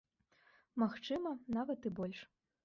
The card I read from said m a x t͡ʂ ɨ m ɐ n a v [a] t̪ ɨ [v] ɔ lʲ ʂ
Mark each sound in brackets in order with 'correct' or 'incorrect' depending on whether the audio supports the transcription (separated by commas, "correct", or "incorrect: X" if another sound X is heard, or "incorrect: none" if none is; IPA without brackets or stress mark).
incorrect: ɐ, incorrect: b